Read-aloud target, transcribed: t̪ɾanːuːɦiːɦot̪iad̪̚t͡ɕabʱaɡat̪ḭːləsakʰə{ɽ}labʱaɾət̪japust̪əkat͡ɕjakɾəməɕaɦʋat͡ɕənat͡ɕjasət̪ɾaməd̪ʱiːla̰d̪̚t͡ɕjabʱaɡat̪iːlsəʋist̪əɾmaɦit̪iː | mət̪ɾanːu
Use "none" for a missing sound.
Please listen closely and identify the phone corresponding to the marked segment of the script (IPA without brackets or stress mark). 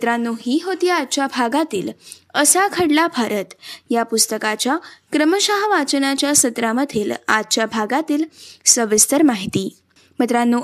ɽ